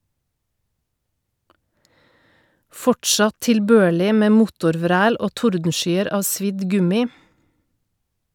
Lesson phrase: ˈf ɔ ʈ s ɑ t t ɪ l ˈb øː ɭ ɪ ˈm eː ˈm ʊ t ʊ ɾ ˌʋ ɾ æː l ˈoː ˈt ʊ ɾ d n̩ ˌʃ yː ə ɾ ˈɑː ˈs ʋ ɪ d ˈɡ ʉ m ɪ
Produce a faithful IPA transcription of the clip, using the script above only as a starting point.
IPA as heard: ˈf ɔ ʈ ʃ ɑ t t ɪ l ˈb øː ɭ ɪ ˈm eː ˈm ʊ t ʊ ɾ ˌʋ ɾ æː l ˈoː ˈt ʊ ɾ d n̩ ˌʃ yː ə ɾ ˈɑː ˈs ʋ ɪ d ˈɡ ʉ m ɪ